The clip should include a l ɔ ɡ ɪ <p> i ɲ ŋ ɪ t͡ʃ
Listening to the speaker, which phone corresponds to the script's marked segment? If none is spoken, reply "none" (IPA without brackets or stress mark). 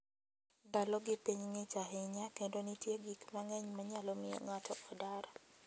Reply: p